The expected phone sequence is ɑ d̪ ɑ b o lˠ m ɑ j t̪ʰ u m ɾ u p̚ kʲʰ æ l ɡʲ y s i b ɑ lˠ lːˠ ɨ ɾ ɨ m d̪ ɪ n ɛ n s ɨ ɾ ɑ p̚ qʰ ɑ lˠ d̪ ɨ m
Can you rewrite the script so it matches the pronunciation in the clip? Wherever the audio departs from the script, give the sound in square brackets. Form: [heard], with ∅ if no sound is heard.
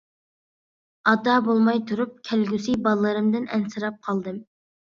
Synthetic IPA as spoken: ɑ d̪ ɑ b o lˠ m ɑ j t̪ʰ u [∅] ɾ u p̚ kʲʰ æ l ɡʲ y s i b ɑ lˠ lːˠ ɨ ɾ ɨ m d̪ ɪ n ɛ n s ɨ ɾ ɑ p̚ qʰ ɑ lˠ d̪ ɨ m